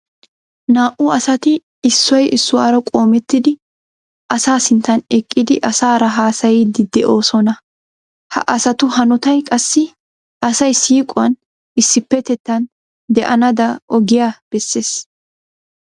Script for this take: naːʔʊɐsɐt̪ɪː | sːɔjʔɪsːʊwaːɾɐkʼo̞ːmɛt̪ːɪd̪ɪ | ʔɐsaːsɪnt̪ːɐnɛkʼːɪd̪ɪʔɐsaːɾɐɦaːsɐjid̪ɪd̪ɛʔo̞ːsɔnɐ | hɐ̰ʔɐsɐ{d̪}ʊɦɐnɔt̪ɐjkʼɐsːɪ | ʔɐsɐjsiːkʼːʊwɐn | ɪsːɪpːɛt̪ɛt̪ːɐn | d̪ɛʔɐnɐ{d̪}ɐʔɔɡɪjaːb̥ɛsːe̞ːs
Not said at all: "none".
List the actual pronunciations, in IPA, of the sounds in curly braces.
t̪, d̪

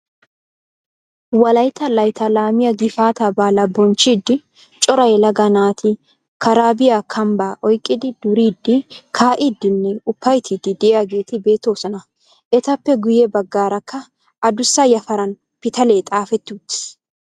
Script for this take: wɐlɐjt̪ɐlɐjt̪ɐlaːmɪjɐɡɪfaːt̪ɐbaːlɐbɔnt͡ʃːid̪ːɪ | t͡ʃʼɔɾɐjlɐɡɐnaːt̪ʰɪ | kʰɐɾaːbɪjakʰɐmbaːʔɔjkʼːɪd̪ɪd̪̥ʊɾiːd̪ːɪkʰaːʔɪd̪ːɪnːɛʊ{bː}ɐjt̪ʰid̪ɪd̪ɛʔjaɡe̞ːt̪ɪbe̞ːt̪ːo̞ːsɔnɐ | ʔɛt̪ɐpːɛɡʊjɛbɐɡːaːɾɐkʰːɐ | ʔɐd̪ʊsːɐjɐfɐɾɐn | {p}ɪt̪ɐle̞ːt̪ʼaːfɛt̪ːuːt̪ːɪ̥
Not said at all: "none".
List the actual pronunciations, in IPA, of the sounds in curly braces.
pː, p

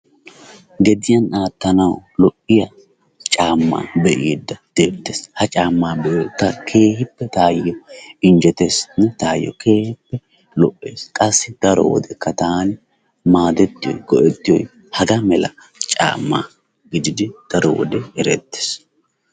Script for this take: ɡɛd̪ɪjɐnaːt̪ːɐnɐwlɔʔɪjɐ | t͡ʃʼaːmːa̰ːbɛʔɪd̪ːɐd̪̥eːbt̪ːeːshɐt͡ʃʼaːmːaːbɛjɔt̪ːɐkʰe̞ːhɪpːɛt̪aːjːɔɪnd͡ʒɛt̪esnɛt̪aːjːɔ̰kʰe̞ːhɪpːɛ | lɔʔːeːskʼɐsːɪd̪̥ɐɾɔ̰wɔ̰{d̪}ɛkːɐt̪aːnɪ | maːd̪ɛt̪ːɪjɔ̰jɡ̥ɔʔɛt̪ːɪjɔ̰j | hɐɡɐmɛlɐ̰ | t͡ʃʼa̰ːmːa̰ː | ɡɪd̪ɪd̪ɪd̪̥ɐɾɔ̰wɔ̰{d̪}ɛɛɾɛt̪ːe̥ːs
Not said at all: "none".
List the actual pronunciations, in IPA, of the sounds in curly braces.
d̪, d̪

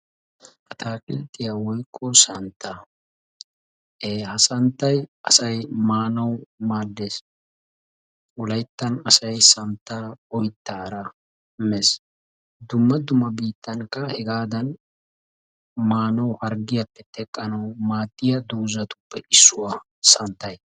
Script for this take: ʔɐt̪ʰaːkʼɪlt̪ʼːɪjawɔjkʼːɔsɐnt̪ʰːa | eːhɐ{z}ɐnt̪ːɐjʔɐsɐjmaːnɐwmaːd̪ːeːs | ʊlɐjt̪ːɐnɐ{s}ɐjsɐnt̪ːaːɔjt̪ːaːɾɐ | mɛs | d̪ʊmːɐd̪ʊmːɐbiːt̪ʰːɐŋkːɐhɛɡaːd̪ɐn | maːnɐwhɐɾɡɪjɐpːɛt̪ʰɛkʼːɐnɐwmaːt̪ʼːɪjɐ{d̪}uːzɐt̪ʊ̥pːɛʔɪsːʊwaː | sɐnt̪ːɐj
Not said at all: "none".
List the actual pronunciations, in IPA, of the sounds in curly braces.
s, s, d̪

